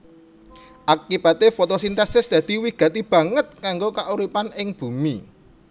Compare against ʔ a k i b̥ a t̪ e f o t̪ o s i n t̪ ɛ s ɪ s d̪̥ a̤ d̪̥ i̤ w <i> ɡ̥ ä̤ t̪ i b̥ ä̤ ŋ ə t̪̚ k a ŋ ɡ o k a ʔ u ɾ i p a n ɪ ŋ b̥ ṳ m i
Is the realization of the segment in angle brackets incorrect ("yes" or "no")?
no